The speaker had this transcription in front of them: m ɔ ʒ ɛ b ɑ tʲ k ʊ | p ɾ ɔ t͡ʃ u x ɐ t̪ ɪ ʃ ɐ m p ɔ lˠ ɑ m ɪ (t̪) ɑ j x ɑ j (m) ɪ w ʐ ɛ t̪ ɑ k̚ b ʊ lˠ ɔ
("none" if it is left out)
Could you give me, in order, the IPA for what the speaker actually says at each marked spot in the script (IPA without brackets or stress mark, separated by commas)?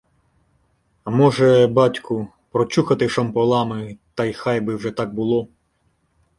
t̪, b